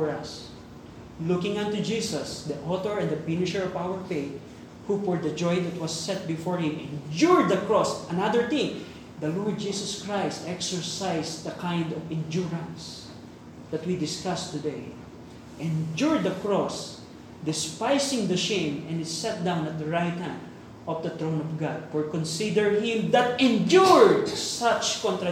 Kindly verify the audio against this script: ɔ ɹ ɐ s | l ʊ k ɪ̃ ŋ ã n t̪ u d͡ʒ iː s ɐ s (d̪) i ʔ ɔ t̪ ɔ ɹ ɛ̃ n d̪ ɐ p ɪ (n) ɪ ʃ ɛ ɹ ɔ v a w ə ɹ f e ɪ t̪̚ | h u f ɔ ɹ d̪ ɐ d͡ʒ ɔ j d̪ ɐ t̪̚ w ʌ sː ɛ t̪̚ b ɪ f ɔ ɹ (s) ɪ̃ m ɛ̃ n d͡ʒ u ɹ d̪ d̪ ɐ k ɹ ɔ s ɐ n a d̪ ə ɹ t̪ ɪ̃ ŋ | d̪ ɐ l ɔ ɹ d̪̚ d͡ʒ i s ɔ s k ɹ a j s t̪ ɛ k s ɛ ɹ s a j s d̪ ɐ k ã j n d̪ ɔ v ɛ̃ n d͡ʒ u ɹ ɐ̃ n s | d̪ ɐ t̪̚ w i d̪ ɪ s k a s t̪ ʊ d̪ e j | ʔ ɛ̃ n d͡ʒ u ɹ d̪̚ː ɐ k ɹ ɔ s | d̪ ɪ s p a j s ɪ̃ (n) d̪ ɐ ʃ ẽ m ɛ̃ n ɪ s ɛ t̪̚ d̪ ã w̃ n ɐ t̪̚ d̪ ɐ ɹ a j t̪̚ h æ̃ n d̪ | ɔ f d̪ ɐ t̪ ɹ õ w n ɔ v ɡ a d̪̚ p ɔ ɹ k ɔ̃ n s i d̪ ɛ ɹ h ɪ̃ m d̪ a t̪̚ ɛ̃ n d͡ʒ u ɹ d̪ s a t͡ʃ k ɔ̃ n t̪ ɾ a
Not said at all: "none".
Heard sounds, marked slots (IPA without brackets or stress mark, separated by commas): d̪, n, h, ŋ